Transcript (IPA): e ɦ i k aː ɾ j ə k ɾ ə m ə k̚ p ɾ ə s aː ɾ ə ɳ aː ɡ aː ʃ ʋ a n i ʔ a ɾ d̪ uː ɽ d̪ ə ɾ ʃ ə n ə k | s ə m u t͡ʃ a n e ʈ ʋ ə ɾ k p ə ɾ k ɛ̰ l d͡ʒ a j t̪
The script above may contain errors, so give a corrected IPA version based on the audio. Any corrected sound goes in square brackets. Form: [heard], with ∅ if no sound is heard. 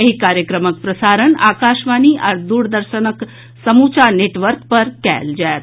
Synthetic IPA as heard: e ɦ i k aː ɾ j ə k ɾ ə m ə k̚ p ɾ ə s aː ɾ ə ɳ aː [k] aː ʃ ʋ a n i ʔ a ɾ d̪ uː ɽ d̪ ə ɾ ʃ ə n ə k | s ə m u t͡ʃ a n e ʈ ʋ ə ɾ k p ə ɾ k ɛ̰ l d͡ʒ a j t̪